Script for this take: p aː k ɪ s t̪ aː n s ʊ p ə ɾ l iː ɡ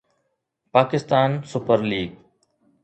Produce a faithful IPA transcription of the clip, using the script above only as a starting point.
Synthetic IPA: p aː k ɪ s t̪ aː n s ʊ p ə ɾ l iː ɡ

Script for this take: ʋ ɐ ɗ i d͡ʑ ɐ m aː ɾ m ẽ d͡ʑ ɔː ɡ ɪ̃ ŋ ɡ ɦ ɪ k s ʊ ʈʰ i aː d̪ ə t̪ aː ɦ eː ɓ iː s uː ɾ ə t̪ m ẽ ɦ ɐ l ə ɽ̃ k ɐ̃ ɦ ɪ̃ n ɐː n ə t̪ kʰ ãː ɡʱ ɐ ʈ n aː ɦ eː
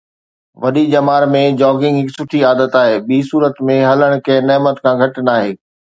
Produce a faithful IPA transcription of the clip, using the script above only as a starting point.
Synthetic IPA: ʋ ɐ ɗ i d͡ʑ ɐ m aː ɾ m ẽ d͡ʑ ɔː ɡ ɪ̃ ŋ ɡ ɦ ɪ k s ʊ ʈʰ i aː d̪ ə t̪ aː ɦ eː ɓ iː s uː ɾ ə t̪ m ẽ ɦ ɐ l ə ɽ̃ k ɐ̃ ɦ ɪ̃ n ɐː m ə t̪ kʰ ãː ɡʱ ɐ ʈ n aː ɦ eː

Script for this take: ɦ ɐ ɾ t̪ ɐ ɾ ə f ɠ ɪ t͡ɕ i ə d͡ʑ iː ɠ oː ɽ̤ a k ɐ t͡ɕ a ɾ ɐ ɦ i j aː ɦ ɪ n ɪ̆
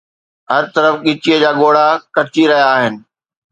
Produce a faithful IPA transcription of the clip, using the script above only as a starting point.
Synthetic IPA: ɦ ɐ ɾ t̪ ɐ ɾ ə f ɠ ɪ t͡ɕ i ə d͡ʑ aː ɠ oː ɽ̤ a k ɐ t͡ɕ i ɾ ɐ ɦ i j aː ɦ ɪ n ɪ̆

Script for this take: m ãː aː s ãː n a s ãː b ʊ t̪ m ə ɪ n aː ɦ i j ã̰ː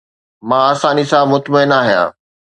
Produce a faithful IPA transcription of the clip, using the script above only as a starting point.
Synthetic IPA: m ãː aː s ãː n i s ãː m ʊ t̪ m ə ɪ n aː ɦ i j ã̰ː

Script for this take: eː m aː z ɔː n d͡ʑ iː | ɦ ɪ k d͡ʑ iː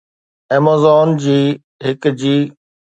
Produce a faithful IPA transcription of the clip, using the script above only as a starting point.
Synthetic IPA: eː m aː z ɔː n d͡ʑ iː | ɦ ɪ k d͡ʑ iː

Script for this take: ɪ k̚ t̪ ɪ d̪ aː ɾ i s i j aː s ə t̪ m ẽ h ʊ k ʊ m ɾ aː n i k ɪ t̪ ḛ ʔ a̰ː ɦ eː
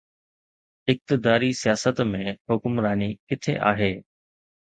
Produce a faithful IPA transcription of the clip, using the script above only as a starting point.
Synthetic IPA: ɪ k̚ t̪ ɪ d̪ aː ɾ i s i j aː s ə t̪ m ẽ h ʊ k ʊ m ɾ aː n i k ɪ t̪ʰ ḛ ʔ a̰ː ɦ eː

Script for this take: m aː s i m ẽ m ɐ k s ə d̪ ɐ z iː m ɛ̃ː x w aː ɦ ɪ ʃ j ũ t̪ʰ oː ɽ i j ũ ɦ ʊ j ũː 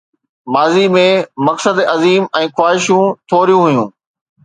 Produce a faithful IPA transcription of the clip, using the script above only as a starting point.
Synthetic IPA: m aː z i m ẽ m ɐ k s ə d̪ ɐ z iː m ɛ̃ː x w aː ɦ ɪ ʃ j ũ t̪ʰ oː ɾ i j ũ ɦ ʊ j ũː

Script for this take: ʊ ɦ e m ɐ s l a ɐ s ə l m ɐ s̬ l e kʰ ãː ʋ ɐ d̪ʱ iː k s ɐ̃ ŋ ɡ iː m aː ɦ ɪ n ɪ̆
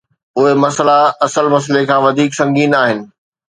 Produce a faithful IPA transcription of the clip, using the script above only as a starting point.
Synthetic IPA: ʊ ɦ e m ɐ s l a ɐ s ə l m ɐ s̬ l e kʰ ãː ʋ ɐ d̪ʱ iː k s ɐ̃ ŋ ɡ iː n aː ɦ ɪ n ɪ̆

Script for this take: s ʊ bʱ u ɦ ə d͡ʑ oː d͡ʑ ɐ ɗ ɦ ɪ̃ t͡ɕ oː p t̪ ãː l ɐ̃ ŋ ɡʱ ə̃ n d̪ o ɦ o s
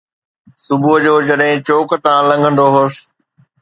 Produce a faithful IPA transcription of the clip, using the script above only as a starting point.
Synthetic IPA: s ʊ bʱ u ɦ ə d͡ʑ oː d͡ʑ ɐ ɗ ɦ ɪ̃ t͡ɕ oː k t̪ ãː l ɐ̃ ŋ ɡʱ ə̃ n d̪ o ɦ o s

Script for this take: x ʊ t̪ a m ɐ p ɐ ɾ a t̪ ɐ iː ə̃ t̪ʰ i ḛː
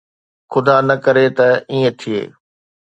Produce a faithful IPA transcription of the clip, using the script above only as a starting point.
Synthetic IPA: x ʊ d̪ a n ɐ k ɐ ɾ e t̪ ɐ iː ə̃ t̪ʰ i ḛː

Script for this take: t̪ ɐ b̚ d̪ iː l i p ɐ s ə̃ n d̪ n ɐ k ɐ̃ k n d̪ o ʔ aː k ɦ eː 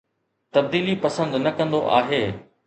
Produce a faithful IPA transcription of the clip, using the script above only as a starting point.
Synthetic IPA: t̪ ɐ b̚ d̪ iː l i p ɐ s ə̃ n d̪ n ɐ k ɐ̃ n d̪ o ʔ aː ɦ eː

